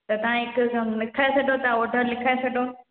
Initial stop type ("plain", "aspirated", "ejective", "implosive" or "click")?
plain